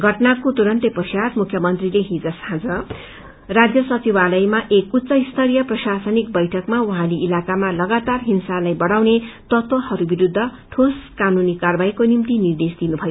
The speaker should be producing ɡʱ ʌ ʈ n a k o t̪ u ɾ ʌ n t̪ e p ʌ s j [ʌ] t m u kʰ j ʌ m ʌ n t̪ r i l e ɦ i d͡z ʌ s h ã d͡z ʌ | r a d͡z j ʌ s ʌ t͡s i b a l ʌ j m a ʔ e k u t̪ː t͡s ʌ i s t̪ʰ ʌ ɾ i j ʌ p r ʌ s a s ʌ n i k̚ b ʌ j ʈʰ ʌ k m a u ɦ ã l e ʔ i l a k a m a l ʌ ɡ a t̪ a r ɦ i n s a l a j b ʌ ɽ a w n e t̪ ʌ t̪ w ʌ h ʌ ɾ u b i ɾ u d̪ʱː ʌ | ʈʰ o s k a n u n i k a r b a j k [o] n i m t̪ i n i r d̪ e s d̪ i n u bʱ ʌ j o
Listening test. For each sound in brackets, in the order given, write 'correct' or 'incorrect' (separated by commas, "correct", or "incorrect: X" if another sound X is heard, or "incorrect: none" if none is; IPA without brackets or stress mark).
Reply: incorrect: a, correct